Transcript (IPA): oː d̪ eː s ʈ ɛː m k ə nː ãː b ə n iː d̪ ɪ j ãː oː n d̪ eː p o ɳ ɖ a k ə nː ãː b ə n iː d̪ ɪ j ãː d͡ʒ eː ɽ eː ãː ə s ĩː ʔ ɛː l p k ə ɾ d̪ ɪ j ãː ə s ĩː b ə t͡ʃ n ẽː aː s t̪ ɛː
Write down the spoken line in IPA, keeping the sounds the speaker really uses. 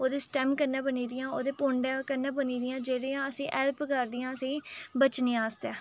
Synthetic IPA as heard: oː d̪ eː s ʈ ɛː m k ə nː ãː b ə n iː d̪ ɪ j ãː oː d̪ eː p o ɳ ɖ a k ə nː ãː b ə n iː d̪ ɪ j ãː d͡ʒ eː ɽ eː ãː ə s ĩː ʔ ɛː l p k ə ɾ d̪ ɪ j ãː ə s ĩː b ə t͡ʃ n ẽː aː s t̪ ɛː